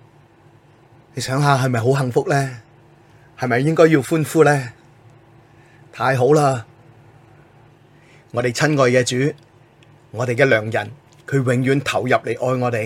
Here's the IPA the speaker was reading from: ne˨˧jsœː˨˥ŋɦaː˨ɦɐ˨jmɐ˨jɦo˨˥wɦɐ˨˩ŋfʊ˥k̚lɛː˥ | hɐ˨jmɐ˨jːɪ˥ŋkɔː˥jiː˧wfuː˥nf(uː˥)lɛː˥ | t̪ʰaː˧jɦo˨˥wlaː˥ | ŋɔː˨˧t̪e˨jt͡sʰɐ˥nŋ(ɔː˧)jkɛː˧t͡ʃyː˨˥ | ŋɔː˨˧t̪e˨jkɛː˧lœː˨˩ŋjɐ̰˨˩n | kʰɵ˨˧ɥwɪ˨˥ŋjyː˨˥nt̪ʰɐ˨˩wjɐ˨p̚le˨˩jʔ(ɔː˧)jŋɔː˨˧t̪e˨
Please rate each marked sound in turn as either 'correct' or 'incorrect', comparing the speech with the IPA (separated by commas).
correct, correct, correct